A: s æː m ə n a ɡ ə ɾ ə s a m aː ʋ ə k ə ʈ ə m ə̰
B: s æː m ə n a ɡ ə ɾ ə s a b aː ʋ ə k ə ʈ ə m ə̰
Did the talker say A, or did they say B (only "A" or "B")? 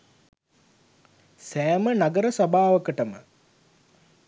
B